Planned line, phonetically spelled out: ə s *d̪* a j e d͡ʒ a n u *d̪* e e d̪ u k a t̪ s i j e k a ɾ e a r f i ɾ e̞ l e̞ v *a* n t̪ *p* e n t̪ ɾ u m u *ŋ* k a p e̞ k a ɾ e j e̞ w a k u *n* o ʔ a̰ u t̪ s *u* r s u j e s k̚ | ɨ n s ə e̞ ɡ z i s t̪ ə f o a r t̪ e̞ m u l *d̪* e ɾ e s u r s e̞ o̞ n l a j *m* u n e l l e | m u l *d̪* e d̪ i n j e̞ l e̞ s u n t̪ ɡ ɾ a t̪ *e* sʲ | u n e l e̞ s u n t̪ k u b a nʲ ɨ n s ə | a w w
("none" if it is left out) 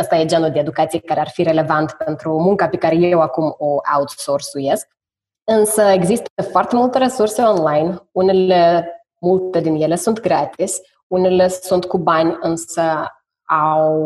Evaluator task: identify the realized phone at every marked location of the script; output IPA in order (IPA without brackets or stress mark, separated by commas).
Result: t̪, d̪, a, p, ŋ, m, o, t̪, n, t̪, i